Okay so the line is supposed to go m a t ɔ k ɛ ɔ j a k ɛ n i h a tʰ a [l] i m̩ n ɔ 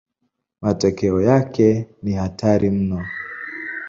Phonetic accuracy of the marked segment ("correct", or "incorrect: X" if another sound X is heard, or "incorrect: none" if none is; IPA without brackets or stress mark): incorrect: ɾ